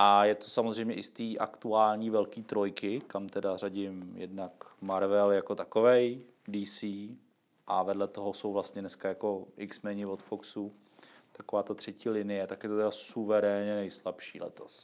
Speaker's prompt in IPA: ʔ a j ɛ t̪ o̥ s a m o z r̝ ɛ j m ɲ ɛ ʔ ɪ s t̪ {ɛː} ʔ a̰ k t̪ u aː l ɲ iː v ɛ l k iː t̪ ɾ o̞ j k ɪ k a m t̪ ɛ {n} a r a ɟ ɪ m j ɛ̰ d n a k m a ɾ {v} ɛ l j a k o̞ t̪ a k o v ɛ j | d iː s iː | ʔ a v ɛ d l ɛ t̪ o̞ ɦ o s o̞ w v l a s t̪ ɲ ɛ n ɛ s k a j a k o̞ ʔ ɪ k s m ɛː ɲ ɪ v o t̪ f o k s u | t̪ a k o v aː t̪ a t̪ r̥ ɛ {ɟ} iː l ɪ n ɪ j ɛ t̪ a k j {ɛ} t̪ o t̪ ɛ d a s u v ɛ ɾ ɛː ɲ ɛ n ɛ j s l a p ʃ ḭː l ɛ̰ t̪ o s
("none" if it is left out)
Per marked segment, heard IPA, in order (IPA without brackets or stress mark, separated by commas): iː, d, v, c, ɛ